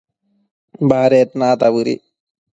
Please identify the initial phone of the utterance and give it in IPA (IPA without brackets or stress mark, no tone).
b